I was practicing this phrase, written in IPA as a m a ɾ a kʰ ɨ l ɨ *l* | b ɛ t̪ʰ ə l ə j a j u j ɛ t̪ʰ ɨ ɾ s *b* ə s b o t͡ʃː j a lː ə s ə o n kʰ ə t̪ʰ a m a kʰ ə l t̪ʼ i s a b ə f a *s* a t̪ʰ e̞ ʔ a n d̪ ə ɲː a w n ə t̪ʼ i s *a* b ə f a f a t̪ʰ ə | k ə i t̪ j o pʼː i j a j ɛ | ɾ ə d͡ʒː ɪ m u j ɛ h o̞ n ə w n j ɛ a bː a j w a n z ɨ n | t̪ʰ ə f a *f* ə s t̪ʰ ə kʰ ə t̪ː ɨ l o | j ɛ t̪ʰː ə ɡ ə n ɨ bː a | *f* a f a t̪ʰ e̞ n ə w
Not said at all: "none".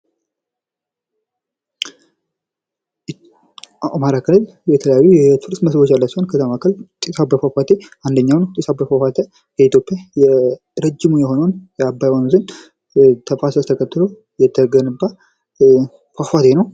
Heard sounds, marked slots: l, m, f, a, s, f

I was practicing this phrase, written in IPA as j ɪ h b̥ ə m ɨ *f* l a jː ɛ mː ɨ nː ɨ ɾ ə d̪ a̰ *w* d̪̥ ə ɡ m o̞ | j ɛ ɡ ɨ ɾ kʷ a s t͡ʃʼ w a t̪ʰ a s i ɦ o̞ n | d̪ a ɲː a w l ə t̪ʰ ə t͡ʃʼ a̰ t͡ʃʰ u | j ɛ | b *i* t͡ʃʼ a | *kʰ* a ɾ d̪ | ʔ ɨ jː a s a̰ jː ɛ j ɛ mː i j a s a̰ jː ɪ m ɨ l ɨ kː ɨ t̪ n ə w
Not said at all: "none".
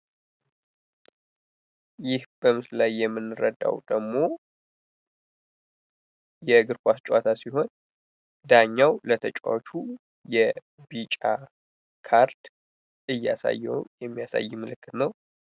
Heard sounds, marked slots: s, w, i, kʰ

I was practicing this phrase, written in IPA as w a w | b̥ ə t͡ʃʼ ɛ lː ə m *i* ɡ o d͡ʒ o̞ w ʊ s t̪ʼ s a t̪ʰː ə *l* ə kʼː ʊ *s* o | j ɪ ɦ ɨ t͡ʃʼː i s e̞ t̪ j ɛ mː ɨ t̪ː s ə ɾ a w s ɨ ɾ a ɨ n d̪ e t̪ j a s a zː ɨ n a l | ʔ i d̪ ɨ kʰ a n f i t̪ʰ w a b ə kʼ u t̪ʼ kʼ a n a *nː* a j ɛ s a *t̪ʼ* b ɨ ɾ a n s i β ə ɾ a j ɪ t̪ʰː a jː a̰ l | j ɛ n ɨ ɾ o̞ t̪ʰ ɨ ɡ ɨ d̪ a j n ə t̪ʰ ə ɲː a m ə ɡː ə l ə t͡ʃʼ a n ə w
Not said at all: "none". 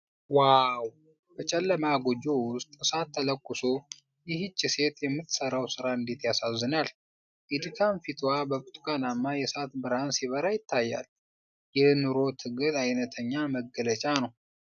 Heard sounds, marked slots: a, l, s, mː, t̪

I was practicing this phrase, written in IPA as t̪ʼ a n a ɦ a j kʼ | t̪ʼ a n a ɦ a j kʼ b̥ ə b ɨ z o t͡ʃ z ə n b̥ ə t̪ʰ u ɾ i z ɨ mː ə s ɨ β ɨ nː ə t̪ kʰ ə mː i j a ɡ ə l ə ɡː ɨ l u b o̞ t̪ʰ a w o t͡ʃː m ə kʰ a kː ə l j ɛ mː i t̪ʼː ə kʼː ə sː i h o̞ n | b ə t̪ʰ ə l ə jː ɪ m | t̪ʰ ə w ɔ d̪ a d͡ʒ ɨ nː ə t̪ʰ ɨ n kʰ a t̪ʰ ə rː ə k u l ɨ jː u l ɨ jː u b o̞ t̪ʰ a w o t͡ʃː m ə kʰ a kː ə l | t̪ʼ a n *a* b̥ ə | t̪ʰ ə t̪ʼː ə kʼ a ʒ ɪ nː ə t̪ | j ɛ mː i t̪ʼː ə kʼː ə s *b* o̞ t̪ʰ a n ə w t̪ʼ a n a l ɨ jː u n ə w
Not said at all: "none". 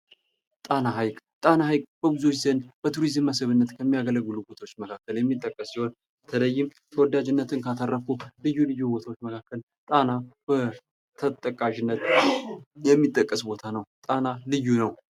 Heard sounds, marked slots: a, b

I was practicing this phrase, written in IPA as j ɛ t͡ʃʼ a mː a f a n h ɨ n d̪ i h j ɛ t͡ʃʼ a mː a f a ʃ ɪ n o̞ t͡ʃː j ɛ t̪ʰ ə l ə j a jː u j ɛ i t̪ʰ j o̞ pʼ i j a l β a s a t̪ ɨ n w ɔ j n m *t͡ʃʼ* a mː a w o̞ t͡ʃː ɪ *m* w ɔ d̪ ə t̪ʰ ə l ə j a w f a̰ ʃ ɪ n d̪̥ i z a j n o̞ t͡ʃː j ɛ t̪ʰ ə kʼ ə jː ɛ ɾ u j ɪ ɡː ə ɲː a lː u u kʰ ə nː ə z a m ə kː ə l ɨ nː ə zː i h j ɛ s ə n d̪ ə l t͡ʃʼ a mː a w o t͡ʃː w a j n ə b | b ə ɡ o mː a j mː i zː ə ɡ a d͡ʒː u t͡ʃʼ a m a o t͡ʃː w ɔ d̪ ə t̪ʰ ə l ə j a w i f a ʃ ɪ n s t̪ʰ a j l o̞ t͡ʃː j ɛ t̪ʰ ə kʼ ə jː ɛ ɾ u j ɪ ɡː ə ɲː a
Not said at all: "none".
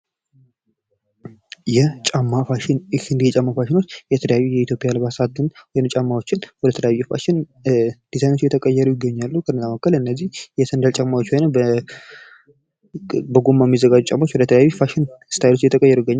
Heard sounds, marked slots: t͡ʃʼ, n

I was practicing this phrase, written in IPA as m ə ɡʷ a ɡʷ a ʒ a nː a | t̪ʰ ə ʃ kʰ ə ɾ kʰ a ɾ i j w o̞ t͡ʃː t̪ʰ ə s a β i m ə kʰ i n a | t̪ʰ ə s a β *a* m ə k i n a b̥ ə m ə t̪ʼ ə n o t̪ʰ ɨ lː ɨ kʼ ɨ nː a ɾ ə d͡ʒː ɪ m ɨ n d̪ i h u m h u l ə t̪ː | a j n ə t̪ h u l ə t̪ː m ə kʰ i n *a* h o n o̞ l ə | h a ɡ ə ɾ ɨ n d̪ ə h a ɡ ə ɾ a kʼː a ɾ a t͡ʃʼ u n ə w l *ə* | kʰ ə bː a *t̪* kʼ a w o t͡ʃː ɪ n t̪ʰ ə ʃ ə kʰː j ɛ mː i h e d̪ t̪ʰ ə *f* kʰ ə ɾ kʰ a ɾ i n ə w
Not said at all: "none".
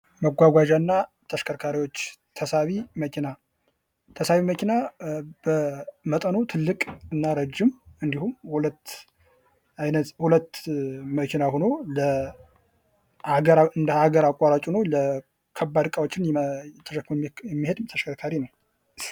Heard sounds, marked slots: i, a, ə, d̪, ʃ

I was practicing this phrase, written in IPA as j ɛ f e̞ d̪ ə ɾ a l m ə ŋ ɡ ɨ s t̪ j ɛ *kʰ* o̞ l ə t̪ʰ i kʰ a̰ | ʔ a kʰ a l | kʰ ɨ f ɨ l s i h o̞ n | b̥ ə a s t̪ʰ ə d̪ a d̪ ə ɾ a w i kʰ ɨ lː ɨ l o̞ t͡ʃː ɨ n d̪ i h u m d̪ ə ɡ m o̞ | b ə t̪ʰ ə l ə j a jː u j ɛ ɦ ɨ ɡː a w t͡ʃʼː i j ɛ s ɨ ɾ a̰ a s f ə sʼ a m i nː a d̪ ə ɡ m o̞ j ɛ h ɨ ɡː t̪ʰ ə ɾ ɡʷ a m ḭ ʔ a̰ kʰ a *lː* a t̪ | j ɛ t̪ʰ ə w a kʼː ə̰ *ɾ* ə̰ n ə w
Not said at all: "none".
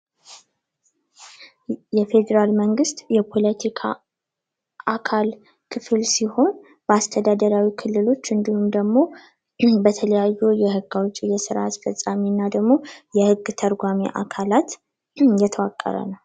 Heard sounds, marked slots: pʰ, l, ɾ

